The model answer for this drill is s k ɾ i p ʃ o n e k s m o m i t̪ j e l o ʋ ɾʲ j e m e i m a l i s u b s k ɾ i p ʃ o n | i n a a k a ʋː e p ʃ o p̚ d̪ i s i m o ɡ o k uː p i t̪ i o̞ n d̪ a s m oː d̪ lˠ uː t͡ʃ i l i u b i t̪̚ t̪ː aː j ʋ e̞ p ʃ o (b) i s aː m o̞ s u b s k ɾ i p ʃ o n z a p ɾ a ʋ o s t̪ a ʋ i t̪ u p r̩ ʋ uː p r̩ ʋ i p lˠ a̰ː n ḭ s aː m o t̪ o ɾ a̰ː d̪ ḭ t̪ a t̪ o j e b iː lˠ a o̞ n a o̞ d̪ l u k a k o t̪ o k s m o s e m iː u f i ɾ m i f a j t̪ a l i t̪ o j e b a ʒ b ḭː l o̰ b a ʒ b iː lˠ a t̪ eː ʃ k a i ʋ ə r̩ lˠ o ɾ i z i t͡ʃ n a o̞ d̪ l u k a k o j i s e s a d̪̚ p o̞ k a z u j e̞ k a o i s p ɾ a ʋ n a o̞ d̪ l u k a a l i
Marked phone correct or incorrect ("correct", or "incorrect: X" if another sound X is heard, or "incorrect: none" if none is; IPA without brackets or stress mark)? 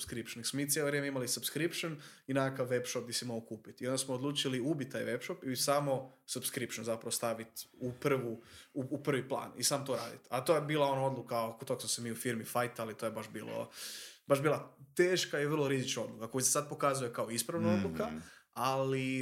incorrect: p